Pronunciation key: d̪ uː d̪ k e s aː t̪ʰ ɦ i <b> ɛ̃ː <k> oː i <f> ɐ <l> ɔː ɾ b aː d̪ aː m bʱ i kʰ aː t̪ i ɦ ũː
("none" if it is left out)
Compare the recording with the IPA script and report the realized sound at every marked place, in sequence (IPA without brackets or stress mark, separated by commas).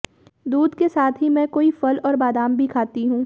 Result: m, k, f, l